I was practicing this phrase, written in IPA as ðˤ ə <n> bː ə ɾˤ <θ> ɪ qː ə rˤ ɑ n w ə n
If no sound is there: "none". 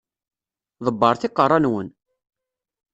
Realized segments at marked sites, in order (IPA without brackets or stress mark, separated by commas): none, θ